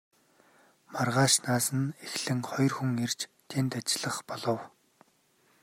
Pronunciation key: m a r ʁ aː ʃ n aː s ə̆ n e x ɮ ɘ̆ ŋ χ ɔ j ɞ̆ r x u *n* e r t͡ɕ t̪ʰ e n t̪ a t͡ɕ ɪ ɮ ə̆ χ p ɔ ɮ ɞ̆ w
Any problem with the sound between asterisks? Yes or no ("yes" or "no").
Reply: yes